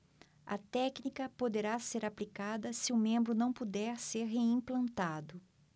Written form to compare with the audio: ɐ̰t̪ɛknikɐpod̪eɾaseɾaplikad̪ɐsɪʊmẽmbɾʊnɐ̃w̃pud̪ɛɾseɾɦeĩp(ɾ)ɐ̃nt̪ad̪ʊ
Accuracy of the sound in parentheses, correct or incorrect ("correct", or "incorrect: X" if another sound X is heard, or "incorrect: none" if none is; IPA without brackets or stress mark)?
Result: incorrect: l